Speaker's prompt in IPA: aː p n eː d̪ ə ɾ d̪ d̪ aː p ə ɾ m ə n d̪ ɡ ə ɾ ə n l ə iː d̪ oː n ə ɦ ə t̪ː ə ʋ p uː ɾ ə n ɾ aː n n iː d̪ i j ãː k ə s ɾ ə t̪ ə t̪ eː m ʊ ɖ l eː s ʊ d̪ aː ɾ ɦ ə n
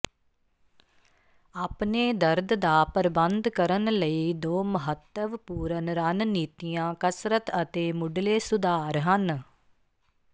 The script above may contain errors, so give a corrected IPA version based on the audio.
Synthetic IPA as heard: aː p n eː d̪ ə ɾ d̪ d̪ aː p ə ɾ b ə n d̪ k ə ɾ ə n l ə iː d̪ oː m ə ɦ ə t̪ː ə ʋ p uː ɾ ə n ɾ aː n n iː t̪ i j ãː k ə s ɾ ə t̪ ə t̪ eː m ʊ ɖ l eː s ʊ d̪ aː ɾ ɦ ə n